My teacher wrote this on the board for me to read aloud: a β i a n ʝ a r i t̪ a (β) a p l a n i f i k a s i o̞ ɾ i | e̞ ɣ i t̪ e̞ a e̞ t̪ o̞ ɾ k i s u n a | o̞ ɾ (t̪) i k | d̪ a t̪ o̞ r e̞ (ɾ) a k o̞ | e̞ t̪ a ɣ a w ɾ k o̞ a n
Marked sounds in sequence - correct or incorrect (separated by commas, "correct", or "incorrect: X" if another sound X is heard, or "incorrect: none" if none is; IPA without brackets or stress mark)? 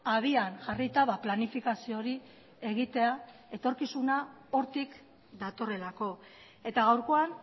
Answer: correct, correct, incorrect: l